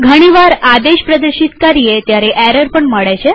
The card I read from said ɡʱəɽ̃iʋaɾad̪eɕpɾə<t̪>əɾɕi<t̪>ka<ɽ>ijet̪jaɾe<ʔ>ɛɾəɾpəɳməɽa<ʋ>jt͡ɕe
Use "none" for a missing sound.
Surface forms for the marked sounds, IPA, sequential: d̪, t̪, ɾ, ʔ, none

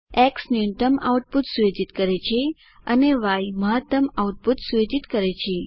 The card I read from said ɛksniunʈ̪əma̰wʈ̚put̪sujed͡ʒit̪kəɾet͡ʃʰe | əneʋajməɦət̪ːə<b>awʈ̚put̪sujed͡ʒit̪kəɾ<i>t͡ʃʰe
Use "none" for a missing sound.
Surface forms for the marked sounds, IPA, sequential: m, e

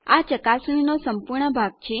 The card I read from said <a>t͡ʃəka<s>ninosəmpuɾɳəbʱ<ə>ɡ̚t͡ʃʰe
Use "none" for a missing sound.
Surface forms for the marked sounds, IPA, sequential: a, s, a

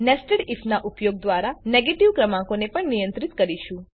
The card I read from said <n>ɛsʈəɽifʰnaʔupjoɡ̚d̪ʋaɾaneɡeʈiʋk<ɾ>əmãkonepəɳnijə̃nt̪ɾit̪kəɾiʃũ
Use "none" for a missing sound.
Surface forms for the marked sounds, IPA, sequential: n, ɾ

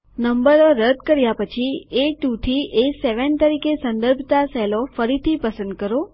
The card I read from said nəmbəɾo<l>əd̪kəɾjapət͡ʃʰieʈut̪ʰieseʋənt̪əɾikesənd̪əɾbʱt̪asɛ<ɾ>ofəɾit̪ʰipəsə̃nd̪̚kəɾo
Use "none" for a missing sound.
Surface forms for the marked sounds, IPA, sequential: ɾ, l

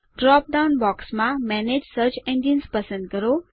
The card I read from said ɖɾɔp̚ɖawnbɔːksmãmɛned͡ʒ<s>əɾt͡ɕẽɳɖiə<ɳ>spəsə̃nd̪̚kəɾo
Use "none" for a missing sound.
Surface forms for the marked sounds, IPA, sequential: s, n

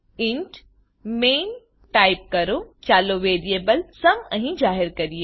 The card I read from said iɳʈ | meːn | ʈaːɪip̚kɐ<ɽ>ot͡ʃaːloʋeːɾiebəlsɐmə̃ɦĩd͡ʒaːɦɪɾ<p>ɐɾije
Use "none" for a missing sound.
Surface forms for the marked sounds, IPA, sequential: ɾ, k

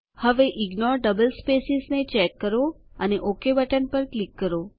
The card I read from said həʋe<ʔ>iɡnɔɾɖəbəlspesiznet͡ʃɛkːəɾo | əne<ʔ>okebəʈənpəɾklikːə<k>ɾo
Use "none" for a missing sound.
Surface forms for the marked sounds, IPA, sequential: ʔ, ʔ, none

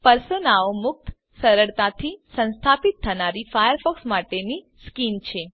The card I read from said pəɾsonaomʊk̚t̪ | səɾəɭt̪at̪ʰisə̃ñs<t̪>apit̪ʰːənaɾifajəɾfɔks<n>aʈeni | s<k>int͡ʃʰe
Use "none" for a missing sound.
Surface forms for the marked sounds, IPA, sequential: t̪ʰ, m, k

